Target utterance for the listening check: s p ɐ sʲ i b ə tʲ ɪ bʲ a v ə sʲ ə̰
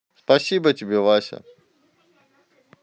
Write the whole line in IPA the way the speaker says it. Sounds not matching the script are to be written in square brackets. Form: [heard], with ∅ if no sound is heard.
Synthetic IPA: s p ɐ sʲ i b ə tʲ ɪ bʲ [e] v [a] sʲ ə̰